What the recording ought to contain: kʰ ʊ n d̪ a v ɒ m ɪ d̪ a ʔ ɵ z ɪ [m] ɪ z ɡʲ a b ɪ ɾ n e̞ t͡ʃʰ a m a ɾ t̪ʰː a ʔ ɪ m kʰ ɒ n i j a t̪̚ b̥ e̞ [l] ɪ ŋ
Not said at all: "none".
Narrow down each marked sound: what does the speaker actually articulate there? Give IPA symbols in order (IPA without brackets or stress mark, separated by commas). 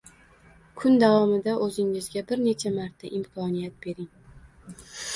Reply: ŋ, ɾ